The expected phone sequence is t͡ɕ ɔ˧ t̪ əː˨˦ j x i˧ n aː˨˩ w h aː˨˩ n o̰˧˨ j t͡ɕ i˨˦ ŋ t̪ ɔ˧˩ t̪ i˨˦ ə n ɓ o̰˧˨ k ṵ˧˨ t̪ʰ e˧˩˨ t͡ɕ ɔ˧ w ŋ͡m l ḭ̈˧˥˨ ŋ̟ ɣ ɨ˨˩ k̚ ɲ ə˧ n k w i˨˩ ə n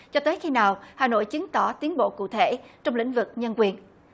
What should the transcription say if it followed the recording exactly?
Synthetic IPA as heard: t͡ɕ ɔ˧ t̪ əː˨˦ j x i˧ n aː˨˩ w h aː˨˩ n o̰˧˨ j t͡ɕ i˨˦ ŋ t̪ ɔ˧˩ t̪ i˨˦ ə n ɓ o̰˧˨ k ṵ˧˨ t̪ʰ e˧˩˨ t͡ɕ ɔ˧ w ŋ͡m l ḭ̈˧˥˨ ŋ̟ v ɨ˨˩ k̚ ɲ ə˧ n k w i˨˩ ə n